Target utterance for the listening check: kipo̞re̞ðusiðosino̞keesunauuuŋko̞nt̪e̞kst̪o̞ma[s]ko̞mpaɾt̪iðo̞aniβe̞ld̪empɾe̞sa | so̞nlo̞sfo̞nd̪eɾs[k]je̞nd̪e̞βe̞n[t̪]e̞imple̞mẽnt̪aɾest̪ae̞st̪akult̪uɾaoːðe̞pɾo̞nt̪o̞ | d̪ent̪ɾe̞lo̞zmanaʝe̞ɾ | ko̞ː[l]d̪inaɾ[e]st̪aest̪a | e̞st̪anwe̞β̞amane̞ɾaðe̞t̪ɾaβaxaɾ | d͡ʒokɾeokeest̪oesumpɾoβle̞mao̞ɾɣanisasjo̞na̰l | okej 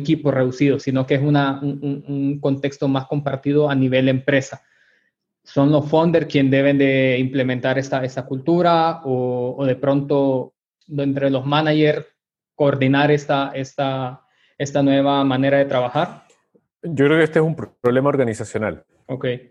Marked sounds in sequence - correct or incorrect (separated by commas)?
correct, correct, incorrect, incorrect, correct